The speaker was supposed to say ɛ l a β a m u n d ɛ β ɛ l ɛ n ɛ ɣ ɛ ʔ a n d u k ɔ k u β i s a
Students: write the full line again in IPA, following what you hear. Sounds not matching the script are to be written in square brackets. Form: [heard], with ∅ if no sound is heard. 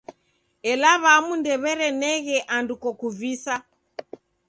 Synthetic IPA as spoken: ɛ l a β a m u n d ɛ β ɛ [ɾ] ɛ n ɛ ɣ ɛ ʔ a n d u k ɔ k u [v] i s a